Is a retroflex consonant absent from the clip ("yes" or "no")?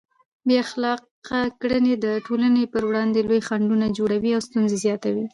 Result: no